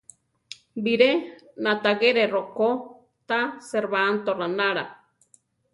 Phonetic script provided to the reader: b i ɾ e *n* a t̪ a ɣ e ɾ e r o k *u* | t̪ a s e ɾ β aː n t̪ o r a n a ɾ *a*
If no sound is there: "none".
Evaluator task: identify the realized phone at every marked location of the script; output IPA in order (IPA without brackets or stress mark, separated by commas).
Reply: n, o, a